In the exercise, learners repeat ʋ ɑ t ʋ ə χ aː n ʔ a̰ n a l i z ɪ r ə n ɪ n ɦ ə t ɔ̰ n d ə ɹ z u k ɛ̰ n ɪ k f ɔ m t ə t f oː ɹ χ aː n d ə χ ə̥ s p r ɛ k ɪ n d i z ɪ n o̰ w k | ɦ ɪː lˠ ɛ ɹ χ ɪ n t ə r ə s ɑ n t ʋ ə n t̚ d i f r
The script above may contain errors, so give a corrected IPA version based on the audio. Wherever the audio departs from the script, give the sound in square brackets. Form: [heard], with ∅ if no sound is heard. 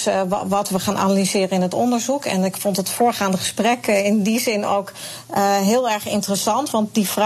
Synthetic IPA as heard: ʋ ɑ t ʋ ə χ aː n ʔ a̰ n a l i z [ɪː] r ə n ɪ n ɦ ə t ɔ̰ n d ə ɹ z u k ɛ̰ n ɪ k f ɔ [n] t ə t f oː ɹ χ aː n d ə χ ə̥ s p r ɛ k ɪ n d i z ɪ n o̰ w k | ɦ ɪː lˠ ɛ ɹ χ ɪ n t ə r ə s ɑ n t ʋ [ɑ] n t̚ d i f r